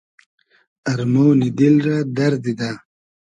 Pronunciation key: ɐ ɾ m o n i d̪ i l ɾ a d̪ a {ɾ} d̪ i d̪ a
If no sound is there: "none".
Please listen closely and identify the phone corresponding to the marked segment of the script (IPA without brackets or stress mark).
ɾ